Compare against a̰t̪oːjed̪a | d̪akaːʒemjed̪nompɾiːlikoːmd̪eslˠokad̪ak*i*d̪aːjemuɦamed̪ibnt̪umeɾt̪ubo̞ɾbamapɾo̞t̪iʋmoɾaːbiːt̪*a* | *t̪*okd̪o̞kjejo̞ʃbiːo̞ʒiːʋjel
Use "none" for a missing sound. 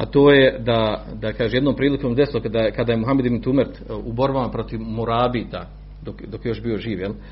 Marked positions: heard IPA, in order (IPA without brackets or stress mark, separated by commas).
a, a, d̪